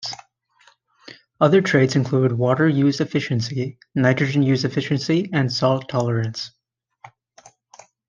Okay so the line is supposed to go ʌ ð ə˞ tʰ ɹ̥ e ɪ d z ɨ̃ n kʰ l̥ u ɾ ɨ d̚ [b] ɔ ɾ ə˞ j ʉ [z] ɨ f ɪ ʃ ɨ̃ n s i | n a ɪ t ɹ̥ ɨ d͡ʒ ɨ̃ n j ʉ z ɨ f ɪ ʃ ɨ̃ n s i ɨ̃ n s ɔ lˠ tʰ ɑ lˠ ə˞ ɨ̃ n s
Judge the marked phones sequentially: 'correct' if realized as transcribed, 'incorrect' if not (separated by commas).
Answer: incorrect, correct